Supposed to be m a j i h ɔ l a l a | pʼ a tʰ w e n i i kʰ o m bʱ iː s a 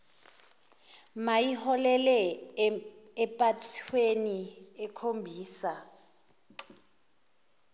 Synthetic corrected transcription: m a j i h ɔ l ɛ l ɛ | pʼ a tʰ w e n i ɛ kʰ o m bʱ iː s a